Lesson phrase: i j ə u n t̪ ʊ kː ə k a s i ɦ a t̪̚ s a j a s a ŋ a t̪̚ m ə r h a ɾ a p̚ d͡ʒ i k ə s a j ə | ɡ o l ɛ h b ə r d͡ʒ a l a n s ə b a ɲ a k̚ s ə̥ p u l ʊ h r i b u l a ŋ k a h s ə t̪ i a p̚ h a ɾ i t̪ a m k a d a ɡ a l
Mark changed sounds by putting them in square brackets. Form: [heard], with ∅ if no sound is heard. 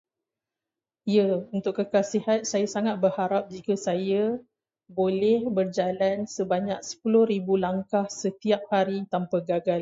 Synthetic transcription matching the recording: i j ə u n t̪ ʊ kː ə k a s i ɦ a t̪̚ s a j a s a ŋ a t̪̚ [b] ə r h a ɾ a p̚ d͡ʒ i k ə s a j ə | [b] o l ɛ h b ə r d͡ʒ a l a n s ə b a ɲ a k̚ s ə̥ p u l ʊ h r i b u l a ŋ k a h s ə t̪ i a p̚ h a ɾ i t̪ a m [p] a [ɡ] a ɡ a l